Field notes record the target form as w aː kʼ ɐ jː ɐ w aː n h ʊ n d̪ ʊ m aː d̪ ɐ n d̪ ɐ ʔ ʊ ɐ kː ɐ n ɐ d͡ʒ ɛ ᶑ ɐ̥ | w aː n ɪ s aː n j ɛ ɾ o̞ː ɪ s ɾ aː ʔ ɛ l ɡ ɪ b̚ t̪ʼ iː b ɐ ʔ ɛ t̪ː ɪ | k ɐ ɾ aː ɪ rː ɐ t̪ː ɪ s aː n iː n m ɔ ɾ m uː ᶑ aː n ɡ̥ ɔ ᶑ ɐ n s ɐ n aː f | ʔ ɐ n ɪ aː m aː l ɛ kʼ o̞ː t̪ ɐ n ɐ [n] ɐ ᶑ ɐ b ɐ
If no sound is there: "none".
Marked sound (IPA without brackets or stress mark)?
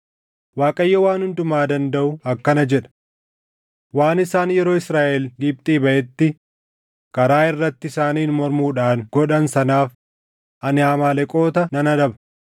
n